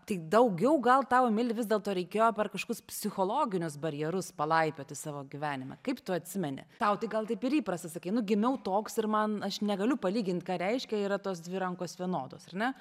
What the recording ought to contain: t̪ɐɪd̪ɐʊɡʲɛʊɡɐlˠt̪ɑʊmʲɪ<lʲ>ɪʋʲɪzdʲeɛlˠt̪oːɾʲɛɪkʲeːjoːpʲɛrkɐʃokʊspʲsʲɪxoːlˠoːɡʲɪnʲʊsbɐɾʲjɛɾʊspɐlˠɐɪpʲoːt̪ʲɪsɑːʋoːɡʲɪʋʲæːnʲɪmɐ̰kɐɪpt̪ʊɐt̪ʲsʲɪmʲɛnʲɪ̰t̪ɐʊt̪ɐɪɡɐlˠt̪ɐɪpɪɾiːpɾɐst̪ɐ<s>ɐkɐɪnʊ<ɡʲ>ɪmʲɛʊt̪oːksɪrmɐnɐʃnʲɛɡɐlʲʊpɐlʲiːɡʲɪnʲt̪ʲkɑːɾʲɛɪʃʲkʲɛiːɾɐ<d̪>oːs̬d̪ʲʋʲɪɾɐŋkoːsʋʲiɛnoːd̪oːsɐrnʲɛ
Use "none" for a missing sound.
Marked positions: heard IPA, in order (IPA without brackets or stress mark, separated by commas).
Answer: lʲ, s, ɡʲ, t̪